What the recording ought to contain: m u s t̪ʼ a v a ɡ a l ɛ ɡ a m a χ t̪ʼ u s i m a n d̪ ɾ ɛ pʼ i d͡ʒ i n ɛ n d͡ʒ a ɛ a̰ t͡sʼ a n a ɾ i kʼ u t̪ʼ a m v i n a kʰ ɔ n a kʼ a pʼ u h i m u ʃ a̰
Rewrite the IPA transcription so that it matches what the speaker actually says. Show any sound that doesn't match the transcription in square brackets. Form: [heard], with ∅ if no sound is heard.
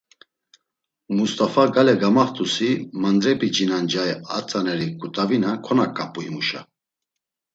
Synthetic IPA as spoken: m u s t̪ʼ a [f] a ɡ a l ɛ ɡ a m a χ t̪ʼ u s i m a n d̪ ɾ ɛ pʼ i d͡ʒ i n [a] n d͡ʒ a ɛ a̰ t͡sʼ a n [ɛ] ɾ i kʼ u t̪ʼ a [∅] v i n a kʰ ɔ n a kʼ a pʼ u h i m u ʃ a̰